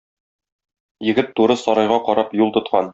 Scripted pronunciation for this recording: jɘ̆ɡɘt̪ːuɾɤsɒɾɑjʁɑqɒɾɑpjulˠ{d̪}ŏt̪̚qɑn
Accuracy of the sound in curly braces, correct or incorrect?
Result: incorrect